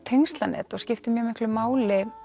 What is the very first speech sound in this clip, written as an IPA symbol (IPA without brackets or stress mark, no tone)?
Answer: t̪ʰ